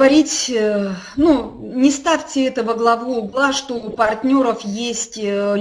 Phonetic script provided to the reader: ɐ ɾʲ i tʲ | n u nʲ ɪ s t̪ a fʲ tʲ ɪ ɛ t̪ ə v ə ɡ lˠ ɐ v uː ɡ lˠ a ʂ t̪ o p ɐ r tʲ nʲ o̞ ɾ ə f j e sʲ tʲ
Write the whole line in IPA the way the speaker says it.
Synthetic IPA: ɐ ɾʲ i tʲ | n u nʲ ɪ s t̪ a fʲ tʲ ɪ ɛ t̪ ə v ə ɡ lˠ ɐ v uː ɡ lˠ a ʂ t̪ o p ɐ r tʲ nʲ o̞ ɾ ə f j e sʲ tʲ